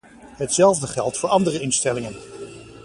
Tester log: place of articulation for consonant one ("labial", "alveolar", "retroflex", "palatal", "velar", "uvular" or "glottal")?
glottal